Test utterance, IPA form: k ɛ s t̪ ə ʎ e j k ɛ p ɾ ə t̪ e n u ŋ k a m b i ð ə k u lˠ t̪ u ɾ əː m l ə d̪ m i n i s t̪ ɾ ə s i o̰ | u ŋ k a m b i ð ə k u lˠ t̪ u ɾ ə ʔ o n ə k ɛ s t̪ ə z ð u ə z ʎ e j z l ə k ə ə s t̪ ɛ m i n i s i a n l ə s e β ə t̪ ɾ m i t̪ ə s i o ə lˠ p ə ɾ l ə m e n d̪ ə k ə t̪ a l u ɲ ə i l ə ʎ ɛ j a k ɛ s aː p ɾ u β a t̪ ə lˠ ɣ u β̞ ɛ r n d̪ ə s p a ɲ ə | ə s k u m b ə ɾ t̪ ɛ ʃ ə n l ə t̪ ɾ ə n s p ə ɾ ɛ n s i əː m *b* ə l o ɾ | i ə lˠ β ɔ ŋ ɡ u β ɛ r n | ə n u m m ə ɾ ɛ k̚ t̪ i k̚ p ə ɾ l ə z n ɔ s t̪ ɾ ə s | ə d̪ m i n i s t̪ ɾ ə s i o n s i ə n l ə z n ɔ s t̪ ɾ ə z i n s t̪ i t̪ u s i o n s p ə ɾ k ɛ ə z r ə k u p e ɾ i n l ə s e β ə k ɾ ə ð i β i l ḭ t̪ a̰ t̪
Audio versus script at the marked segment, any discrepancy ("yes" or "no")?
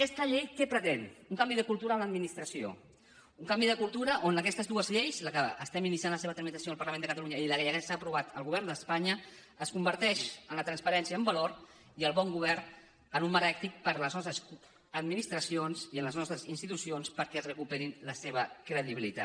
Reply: no